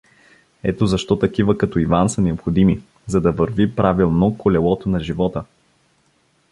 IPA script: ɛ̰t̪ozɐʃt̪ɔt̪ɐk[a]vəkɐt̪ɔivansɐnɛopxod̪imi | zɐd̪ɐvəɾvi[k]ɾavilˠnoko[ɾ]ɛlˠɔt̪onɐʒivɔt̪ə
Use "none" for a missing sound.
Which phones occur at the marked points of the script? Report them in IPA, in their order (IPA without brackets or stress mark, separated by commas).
i, p, l